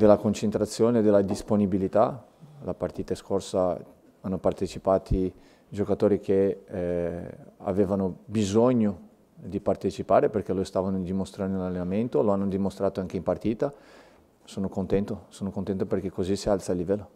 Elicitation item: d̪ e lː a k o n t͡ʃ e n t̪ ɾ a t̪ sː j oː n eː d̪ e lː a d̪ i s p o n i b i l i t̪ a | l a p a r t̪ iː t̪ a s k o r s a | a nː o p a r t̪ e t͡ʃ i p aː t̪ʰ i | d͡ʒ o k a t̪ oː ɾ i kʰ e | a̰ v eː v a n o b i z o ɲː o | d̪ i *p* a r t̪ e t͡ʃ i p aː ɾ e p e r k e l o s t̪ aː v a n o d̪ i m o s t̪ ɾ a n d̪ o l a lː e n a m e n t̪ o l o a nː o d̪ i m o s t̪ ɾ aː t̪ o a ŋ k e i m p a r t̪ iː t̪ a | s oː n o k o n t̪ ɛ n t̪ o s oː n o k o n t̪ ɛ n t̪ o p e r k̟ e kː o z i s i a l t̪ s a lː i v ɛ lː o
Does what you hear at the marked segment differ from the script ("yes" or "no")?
no